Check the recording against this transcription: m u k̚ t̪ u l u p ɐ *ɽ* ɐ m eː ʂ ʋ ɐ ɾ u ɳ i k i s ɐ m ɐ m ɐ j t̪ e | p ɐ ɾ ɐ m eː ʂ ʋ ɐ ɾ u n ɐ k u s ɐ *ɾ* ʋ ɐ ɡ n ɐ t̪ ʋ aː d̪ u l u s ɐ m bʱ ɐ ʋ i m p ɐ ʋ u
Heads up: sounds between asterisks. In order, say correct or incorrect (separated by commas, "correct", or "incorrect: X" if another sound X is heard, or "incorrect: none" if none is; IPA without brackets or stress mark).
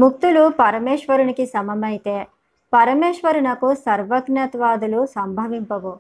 incorrect: ɾ, correct